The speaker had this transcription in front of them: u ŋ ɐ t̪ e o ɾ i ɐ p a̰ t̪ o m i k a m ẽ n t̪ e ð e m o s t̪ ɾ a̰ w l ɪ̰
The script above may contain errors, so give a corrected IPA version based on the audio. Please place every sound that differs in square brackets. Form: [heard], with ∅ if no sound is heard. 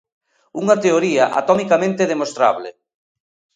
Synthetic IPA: u ŋ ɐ t̪ e o ɾ i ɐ [ʔ] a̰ t̪ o m i k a m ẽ n t̪ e ð e m o s t̪ ɾ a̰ [β] l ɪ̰